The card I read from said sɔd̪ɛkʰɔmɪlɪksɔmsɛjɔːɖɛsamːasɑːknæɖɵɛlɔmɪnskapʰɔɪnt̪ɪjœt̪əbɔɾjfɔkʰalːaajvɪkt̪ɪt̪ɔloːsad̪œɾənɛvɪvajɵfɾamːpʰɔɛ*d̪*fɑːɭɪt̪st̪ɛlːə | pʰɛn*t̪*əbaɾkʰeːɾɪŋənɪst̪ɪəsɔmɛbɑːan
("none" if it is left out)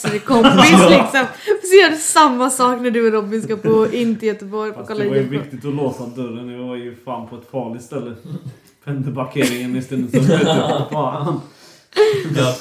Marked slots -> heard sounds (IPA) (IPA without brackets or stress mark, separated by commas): t̪, d̪